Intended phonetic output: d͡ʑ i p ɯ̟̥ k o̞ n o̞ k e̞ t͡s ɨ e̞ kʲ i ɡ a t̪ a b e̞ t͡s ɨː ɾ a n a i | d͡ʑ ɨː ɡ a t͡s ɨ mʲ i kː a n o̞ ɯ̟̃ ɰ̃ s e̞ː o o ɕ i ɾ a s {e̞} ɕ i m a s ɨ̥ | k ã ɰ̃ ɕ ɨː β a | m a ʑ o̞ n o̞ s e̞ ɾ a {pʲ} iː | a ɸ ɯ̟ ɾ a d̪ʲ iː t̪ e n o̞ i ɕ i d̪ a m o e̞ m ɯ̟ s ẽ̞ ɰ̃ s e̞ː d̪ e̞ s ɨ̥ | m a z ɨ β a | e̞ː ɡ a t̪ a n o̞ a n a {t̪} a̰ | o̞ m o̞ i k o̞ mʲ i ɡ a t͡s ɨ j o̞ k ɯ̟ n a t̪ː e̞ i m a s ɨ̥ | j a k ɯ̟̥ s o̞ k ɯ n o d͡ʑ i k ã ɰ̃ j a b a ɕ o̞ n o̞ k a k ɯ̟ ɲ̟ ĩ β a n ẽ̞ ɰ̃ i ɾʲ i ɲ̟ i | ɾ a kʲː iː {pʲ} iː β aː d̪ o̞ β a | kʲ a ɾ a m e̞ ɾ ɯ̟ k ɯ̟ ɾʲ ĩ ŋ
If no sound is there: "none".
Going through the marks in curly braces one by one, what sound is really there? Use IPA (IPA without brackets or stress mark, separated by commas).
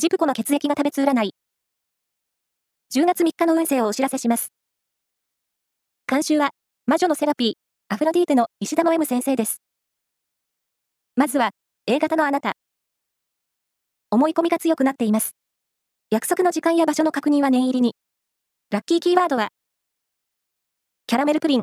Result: e̞, pʲ, t̪, kʲ